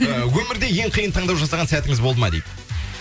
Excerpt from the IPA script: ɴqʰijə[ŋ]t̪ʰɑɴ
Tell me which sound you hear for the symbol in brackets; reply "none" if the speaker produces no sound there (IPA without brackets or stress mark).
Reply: n